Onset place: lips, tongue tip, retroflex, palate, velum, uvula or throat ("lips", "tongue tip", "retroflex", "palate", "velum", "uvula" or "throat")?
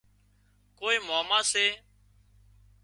velum